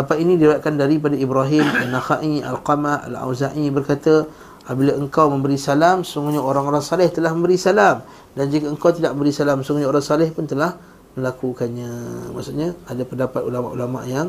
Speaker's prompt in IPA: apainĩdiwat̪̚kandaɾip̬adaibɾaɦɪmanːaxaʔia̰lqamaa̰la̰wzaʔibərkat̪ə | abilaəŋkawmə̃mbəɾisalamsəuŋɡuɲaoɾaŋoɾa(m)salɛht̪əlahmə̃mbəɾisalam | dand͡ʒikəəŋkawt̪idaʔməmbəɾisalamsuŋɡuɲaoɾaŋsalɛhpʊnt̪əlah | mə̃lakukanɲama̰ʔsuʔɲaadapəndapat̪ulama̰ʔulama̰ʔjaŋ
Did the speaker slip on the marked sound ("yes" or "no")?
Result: yes